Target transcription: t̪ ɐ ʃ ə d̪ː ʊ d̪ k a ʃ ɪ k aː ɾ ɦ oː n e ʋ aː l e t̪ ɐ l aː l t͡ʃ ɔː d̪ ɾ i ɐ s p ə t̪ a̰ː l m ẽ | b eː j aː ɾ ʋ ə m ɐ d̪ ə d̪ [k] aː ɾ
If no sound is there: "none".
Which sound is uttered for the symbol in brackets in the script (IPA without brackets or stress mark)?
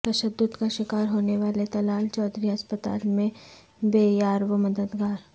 ɡ